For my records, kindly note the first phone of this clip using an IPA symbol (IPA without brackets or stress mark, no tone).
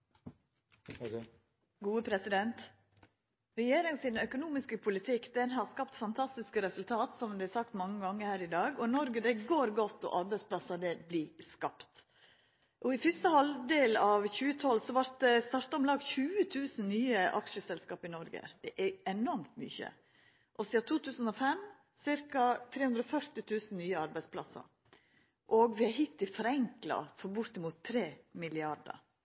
ɡ